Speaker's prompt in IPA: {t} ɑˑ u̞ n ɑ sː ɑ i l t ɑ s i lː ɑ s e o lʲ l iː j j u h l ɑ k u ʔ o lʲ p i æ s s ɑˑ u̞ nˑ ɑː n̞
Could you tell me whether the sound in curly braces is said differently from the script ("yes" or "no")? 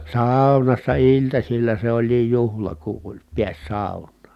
yes